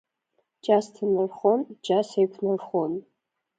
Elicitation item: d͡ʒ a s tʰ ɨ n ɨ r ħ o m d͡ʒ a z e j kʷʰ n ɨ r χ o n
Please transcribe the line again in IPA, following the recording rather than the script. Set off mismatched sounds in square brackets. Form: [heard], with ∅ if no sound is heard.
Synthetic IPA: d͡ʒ a s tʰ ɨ n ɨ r [χ] o [n] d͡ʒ a [s] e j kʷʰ n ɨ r χ o n